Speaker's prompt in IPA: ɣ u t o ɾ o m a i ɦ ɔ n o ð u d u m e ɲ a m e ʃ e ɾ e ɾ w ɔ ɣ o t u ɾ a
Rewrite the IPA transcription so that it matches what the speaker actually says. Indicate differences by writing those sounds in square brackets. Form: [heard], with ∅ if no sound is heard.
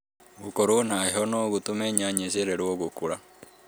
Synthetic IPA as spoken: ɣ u [k] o ɾ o [n] a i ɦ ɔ n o [ɣ] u [t] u m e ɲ a [ɲ] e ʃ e ɾ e ɾ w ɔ ɣ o [k] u ɾ a